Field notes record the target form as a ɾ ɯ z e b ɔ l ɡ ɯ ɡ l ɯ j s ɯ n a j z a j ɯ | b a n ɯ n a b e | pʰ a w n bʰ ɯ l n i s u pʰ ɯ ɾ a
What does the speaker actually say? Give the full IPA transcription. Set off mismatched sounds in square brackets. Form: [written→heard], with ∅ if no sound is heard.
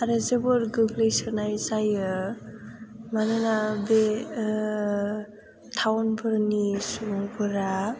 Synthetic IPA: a ɾ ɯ z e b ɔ [l→ɾ] ɡ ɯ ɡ l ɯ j s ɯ n a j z a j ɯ | [b→m] a n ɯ n a b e | [pʰ→tʰ] a w n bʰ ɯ [l→ɾ] n i s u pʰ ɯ ɾ a